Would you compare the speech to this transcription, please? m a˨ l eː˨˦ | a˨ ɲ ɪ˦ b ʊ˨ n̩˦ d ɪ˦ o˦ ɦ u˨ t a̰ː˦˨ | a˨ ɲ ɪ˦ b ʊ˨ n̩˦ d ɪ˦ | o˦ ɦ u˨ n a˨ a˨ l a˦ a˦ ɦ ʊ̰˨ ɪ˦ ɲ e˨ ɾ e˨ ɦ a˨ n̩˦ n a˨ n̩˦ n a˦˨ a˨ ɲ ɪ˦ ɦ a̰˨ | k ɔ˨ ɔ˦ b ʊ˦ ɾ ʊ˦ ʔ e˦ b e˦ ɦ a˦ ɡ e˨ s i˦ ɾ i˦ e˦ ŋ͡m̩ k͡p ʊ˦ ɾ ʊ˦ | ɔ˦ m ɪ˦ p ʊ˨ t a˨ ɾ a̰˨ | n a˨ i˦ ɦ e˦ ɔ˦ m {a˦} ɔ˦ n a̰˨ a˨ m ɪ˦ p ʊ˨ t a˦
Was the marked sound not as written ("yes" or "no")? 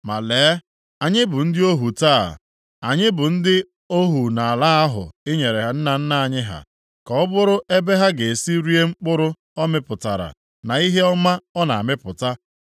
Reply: no